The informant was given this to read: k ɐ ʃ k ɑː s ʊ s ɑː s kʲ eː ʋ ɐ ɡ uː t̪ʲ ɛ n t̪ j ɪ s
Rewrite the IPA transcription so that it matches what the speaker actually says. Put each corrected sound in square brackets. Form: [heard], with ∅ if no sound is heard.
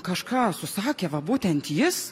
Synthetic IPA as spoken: k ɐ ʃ k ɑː s ʊ s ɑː [∅] kʲ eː ʋ ɐ [b] uː t̪ʲ ɛ n t̪ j ɪ s